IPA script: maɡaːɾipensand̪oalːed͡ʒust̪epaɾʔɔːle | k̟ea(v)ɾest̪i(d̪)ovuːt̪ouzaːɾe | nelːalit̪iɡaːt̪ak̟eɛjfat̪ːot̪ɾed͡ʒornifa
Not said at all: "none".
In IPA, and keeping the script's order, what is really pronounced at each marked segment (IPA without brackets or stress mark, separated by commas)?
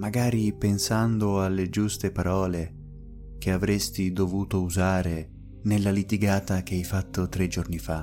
v, d̪